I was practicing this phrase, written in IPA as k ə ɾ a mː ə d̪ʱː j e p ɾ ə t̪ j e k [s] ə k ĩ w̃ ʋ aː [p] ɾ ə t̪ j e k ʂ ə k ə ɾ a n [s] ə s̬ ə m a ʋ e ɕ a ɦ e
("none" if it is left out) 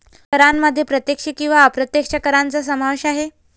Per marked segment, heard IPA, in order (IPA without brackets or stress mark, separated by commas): ʂ, p, t͡s